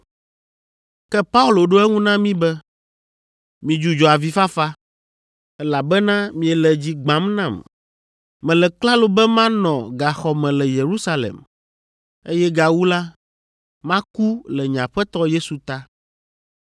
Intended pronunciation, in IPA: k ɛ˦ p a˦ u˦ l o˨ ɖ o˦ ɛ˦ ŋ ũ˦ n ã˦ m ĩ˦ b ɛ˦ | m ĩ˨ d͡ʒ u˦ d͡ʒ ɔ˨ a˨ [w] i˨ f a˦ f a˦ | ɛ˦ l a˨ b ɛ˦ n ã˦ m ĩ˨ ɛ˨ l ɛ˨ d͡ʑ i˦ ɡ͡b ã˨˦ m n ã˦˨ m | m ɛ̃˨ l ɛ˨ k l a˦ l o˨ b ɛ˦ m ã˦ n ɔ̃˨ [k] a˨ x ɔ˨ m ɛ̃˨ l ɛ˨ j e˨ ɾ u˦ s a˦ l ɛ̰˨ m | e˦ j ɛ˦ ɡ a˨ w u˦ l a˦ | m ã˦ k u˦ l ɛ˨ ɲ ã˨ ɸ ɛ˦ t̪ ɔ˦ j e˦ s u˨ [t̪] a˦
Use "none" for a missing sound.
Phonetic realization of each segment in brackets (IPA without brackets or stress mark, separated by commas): v, ɡ, t̪